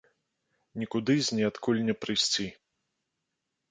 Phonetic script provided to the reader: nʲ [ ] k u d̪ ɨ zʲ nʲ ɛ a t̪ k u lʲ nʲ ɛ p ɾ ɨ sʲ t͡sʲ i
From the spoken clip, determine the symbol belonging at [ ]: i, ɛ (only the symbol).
i